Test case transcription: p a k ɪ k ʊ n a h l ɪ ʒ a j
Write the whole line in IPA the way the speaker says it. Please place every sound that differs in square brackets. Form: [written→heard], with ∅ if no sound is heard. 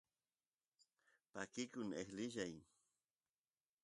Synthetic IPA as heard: p a k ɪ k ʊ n [a→e] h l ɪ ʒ a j